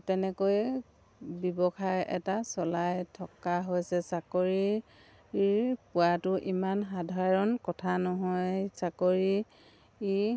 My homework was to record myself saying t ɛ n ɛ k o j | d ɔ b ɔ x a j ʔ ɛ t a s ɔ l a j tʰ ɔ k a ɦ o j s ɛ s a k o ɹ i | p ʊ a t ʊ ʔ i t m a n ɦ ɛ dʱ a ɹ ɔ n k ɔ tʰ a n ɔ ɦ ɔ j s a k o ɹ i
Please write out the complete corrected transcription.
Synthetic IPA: t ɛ n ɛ k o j | b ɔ b ɔ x a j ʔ ɛ t a s ɔ l a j tʰ ɔ k a ɦ o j s ɛ s a k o ɹ i | p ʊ a t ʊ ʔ i m a n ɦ a dʱ a ɹ ɔ n k ɔ tʰ a n ɔ ɦ ɔ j s a k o ɹ i